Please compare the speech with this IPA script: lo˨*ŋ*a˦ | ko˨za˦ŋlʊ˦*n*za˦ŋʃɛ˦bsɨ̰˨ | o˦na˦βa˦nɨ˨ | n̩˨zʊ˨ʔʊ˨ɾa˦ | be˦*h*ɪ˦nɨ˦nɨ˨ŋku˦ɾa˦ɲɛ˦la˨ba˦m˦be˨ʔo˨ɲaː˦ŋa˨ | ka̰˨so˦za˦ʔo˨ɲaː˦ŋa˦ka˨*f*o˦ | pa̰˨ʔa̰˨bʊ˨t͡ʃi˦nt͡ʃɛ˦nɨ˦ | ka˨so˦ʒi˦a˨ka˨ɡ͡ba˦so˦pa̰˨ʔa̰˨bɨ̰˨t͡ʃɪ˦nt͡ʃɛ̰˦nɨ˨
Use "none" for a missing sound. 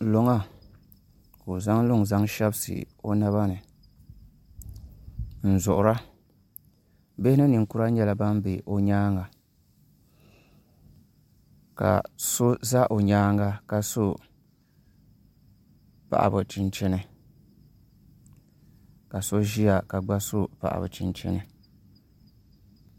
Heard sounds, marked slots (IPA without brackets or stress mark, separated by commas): ŋ, ŋ, h, s